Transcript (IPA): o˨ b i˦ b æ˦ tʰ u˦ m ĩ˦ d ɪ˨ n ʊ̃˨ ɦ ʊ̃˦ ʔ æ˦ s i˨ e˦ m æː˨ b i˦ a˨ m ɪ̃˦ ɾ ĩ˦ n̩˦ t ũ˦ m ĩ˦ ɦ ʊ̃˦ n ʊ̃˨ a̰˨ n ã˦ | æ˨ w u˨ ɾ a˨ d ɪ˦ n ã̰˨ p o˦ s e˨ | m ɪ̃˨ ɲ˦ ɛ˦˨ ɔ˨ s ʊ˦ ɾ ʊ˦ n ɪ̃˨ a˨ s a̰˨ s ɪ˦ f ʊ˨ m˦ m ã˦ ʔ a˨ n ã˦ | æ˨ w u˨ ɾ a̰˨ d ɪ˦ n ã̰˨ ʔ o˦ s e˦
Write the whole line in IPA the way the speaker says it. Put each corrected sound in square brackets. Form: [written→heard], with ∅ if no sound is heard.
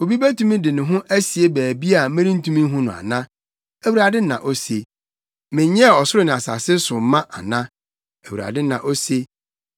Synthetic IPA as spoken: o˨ b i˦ b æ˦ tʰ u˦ m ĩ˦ d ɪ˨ n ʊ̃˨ ɦ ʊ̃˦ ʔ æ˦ s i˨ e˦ [m→b] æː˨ b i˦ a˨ m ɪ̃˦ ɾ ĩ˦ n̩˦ t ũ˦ m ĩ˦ ɦ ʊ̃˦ n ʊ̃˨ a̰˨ n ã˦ | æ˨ w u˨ ɾ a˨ d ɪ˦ n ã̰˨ [p→ʔ] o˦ s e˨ | m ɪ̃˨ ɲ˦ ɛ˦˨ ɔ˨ s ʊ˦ ɾ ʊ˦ n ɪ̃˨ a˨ s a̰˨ s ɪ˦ [f→s] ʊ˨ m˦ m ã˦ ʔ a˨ n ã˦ | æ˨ w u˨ ɾ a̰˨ d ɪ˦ n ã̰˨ ʔ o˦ s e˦

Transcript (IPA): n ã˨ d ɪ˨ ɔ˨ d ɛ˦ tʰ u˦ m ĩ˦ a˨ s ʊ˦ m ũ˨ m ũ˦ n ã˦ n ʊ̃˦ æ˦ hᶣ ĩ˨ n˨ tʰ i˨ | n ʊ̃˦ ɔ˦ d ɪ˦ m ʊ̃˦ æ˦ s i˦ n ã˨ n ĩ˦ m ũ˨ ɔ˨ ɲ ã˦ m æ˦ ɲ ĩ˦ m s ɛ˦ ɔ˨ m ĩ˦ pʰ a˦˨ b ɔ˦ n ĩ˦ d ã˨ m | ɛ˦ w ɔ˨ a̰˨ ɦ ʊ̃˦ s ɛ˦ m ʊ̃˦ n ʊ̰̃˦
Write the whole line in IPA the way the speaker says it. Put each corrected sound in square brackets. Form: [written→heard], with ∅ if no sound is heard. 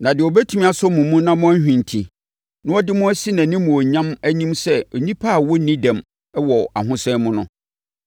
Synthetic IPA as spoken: n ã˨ d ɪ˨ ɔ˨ [d→b] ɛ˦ tʰ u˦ m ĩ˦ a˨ s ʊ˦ m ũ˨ m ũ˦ n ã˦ [n→m] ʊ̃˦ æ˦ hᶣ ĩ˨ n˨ tʰ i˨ | n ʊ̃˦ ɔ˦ d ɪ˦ m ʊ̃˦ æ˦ s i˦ n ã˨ n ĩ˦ m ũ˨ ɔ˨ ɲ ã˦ m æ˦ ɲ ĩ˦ m s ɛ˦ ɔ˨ [m→ɲ] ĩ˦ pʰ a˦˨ [b→w] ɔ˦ n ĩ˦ d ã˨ m | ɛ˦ w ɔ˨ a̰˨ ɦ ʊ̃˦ s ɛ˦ m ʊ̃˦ n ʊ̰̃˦

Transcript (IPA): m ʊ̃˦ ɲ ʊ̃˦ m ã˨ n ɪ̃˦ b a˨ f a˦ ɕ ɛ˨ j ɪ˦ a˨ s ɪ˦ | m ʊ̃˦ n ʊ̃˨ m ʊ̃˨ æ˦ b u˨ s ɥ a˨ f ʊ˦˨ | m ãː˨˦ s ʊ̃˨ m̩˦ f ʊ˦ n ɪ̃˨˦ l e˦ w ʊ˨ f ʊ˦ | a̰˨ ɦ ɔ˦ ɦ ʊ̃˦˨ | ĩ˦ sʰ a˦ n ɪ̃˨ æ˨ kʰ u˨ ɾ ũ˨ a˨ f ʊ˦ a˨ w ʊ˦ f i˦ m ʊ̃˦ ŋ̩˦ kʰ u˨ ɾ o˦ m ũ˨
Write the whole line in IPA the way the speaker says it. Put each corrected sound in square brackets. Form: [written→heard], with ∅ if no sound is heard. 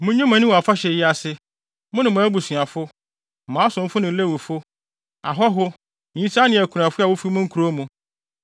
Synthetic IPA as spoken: m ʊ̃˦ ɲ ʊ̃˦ m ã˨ n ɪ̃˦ [b→w] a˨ f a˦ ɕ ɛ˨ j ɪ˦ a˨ s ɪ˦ | m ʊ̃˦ n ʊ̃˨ m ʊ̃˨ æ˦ b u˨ s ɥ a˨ f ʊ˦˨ | m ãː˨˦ s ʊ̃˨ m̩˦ f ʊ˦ n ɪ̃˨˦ l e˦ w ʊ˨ f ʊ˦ | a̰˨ ɦ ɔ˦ ɦ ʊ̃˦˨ | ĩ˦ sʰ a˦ n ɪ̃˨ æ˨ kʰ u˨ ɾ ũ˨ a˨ f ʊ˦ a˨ w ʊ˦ f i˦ m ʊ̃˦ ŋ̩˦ kʰ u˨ ɾ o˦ m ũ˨

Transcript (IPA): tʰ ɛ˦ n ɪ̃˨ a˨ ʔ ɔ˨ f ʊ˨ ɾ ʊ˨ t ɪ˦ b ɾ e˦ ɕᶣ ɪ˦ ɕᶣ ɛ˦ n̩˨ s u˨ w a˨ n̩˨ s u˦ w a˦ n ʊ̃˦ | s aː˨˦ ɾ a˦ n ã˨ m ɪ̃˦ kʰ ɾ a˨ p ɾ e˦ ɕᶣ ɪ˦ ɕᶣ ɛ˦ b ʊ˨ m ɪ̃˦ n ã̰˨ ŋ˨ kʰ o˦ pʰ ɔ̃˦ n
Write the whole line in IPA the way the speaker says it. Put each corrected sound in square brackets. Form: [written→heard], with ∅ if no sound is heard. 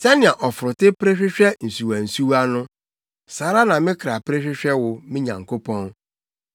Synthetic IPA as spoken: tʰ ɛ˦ n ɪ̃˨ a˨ ʔ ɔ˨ f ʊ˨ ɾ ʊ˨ t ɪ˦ [b→p] ɾ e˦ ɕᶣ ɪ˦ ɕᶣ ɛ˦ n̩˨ s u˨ w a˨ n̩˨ s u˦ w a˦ n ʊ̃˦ | s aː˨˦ ɾ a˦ n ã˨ m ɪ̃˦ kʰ ɾ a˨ p ɾ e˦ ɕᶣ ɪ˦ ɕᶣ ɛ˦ [b→w] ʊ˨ m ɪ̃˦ [n→ɲ] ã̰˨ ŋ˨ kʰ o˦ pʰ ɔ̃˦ n

